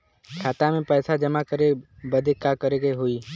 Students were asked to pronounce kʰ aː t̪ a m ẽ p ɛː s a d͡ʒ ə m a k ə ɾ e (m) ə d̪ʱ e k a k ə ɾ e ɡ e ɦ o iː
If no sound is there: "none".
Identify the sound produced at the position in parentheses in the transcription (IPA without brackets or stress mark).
b